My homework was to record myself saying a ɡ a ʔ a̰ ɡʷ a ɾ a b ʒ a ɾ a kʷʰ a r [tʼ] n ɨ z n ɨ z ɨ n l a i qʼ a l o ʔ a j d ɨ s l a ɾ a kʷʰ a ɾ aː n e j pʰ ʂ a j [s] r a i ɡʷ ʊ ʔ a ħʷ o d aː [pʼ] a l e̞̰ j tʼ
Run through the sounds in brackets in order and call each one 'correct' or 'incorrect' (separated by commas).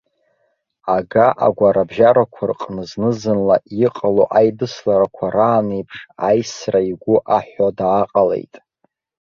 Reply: incorrect, correct, incorrect